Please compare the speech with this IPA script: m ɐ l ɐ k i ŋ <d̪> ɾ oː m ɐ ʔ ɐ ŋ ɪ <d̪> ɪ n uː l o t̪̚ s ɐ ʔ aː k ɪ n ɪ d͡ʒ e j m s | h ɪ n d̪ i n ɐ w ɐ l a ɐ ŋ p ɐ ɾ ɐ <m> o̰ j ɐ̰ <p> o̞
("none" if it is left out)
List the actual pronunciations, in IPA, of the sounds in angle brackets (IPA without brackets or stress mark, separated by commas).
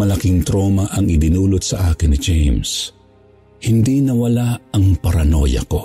t̪, d̪, n, k